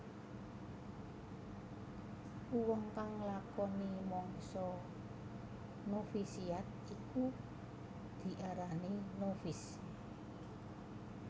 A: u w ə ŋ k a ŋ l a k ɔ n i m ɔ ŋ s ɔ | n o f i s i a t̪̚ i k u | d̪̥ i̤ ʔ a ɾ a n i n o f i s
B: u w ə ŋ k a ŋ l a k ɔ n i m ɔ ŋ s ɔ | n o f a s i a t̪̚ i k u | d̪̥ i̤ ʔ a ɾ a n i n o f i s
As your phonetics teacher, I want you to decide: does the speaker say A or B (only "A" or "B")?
A